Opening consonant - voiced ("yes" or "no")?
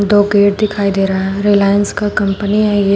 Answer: yes